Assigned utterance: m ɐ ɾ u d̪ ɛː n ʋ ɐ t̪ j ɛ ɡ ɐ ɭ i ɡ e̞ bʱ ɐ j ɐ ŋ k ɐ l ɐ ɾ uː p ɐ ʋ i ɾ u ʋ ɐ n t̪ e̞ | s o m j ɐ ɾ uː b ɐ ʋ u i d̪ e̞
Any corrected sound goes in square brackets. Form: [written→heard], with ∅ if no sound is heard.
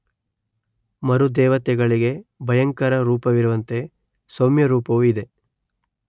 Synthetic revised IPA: m ɐ ɾ u d̪ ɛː [n→∅] ʋ ɐ t̪ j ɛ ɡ ɐ ɭ i ɡ e̞ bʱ ɐ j ɐ ŋ k ɐ [l→ɾ] ɐ ɾ uː p ɐ ʋ i ɾ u ʋ ɐ n t̪ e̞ | s o m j ɐ ɾ uː [b→p] ɐ ʋ u i d̪ e̞